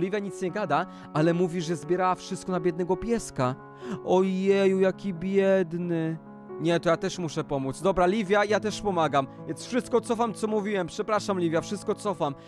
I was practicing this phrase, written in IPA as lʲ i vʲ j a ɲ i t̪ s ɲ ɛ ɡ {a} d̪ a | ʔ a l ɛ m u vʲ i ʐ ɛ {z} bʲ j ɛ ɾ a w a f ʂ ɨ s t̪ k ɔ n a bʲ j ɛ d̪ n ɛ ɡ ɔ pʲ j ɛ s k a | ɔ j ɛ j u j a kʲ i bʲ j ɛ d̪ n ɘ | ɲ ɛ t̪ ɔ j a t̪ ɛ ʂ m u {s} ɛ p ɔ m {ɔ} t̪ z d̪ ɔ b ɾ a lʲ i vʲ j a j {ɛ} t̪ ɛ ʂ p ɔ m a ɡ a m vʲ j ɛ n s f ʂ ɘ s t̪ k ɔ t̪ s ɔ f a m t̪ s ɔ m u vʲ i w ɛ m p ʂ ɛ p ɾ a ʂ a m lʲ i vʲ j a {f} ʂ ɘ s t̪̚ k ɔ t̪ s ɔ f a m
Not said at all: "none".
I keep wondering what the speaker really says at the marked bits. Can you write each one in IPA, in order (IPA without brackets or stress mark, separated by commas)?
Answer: a, z, ʂ, u, a, f